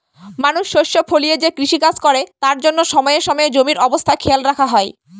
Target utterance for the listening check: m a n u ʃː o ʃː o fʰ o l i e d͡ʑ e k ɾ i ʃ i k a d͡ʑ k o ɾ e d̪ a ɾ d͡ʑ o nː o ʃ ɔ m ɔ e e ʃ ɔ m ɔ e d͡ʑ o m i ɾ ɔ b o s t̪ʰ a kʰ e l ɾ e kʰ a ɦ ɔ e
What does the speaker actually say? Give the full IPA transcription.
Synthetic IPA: m a n u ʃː o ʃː o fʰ o l i e d͡ʑ e k ɾ i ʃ i k a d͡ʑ k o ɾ e t̪ a ɾ d͡ʑ o nː o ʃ ɔ m ɔ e e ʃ ɔ m ɔ e d͡ʑ o m i ɾ ɔ b o s t̪ʰ a kʰ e l ɾ a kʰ a ɦ ɔ e